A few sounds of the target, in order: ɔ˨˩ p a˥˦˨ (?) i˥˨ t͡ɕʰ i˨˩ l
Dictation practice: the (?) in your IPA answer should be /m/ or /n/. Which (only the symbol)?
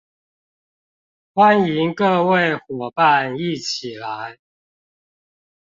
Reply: n